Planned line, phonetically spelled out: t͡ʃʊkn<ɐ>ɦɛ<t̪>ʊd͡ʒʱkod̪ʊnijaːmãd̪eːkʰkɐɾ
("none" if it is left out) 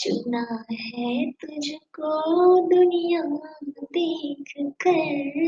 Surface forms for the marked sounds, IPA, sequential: a, t̪

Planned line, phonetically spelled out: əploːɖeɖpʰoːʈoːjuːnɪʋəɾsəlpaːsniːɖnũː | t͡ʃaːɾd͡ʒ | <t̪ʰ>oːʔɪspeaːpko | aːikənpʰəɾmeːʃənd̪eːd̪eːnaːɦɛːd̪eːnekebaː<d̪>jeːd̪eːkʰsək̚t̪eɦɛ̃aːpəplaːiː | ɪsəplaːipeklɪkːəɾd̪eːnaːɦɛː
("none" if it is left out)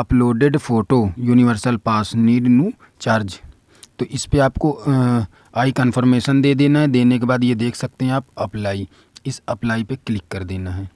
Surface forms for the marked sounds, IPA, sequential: t̪, d̪

